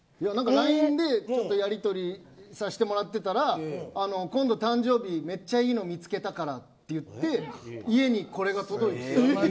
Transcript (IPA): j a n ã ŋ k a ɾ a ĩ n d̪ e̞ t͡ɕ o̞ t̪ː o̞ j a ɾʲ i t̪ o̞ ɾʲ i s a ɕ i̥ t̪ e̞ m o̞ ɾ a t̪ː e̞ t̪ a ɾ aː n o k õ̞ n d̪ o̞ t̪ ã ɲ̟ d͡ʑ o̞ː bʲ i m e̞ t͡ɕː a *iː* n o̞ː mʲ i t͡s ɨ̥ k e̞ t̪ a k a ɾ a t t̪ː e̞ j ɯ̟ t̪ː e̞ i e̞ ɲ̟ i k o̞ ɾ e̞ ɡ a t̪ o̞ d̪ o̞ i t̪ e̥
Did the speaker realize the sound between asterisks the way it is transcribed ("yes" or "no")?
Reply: yes